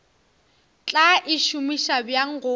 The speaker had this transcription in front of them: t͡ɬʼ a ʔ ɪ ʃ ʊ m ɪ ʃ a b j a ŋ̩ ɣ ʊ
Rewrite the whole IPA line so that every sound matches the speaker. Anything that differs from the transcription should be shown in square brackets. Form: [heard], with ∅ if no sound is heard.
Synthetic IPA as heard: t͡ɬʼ a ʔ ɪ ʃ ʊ m [i] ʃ a b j a ŋ̩ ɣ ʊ